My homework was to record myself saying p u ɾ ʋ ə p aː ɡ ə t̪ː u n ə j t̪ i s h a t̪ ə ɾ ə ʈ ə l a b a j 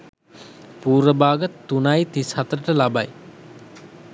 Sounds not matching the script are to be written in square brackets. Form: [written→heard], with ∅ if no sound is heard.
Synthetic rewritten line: p [u→uː] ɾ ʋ ə [p→b] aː ɡ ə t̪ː u n [ə→a] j t̪ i s h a t̪ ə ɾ ə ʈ ə l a b a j